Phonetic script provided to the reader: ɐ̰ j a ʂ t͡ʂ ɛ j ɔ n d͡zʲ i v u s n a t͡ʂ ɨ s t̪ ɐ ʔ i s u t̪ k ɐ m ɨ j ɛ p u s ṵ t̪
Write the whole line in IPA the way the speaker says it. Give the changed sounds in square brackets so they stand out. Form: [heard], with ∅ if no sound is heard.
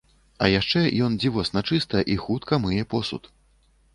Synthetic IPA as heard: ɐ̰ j a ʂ t͡ʂ ɛ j ɔ n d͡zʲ i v [ɔ] s n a t͡ʂ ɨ s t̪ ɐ ʔ i [x] u t̪ k ɐ m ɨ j ɛ p [ɔ] s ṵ t̪